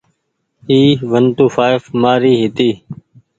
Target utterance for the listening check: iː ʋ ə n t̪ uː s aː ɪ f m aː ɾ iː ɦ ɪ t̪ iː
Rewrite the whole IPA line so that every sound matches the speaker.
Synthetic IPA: iː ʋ ə n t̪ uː f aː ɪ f m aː ɾ iː ɦ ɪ t̪ iː